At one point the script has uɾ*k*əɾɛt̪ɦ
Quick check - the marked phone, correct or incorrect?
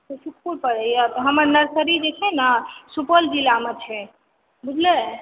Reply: incorrect